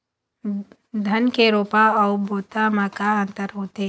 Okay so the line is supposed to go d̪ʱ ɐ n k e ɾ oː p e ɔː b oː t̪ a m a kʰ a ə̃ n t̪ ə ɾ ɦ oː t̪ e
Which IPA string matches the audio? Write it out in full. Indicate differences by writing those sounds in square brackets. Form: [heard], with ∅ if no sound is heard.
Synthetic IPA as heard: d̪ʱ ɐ n k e ɾ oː p [a] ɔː b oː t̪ a m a [k] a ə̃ n t̪ ə ɾ ɦ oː t̪ e